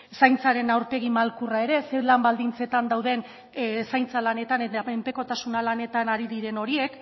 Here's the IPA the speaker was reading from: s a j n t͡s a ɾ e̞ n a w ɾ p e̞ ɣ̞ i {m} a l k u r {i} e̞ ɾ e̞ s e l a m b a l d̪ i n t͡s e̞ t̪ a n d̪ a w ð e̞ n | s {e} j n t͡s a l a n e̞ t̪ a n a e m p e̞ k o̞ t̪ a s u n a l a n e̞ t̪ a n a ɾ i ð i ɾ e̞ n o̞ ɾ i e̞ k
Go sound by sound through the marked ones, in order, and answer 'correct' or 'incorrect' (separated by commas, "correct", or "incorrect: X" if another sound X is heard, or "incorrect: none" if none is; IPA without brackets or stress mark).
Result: correct, incorrect: a, incorrect: a